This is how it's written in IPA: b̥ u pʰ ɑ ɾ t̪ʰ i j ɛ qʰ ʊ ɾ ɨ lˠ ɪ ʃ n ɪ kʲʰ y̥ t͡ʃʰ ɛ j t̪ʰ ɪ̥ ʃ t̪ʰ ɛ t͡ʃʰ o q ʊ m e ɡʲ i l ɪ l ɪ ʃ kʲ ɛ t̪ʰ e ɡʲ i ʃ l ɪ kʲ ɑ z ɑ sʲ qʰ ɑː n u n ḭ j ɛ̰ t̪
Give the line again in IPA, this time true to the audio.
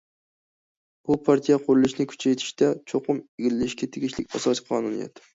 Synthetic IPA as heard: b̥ u pʰ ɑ ɾ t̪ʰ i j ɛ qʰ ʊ ɾ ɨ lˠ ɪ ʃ n ɪ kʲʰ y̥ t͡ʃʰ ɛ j t̪ʰ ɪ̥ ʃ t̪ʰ ɛ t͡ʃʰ o q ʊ m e ɡʲ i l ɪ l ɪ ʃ kʲ ɛ t̪ʰ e ɡʲ i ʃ l ɪ kʲ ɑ s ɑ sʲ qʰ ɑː n u n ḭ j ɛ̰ t̪